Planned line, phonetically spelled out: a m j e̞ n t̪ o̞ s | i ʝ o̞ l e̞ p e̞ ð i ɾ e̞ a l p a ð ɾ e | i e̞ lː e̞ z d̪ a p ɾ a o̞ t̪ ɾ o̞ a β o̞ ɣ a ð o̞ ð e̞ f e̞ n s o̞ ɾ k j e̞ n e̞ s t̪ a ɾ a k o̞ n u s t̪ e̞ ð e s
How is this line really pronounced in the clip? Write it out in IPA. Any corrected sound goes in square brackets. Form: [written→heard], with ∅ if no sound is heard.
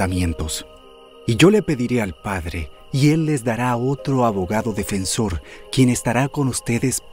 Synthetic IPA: a m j e̞ n t̪ o̞ s | i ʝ o̞ l e̞ p e̞ ð i ɾ e̞ a l p a ð ɾ e | i e̞ lː e̞ z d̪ a [p→∅] ɾ a o̞ t̪ ɾ o̞ a β o̞ ɣ a ð o̞ ð e̞ f e̞ n s o̞ ɾ k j e̞ n e̞ s t̪ a ɾ a k o̞ n u s t̪ e̞ ð e s